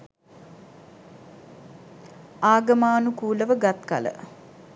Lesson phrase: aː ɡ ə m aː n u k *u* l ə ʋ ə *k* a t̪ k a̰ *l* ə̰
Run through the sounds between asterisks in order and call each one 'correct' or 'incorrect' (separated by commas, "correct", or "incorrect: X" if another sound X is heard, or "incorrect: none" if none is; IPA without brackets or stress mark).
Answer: incorrect: uː, incorrect: ɡ, correct